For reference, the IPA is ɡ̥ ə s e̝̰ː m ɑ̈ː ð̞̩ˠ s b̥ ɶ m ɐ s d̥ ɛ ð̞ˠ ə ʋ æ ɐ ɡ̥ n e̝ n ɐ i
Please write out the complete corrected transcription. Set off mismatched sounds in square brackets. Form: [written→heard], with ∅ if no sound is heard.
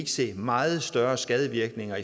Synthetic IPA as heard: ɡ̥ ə s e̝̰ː m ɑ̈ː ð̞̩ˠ s [b̥→d̥] ɶ [m→∅] ɐ s [d̥→ɡ̥] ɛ ð̞ˠ ə ʋ [æ→i] ɐ ɡ̥ n e̝ [n→ŋ] ɐ i